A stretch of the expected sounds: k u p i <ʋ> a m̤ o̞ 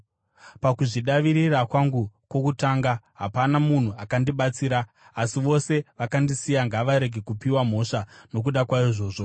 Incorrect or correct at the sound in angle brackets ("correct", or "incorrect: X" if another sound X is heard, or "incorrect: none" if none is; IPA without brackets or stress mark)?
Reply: incorrect: w